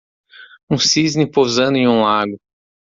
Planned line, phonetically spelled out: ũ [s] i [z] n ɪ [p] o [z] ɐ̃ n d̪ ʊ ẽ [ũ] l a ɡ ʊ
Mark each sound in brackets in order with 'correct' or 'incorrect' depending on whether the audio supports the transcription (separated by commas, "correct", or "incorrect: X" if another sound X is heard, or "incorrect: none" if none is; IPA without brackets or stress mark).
correct, correct, correct, correct, correct